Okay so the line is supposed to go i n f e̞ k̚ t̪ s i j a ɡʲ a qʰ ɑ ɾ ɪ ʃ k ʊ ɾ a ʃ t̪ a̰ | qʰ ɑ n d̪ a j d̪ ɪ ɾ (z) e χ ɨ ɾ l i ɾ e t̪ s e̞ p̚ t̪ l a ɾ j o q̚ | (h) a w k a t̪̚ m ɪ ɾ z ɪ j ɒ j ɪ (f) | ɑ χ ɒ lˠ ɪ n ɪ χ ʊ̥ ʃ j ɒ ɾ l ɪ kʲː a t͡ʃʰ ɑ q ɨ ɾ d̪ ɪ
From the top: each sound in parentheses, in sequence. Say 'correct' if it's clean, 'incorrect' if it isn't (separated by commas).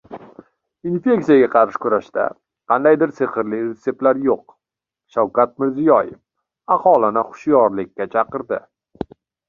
incorrect, incorrect, correct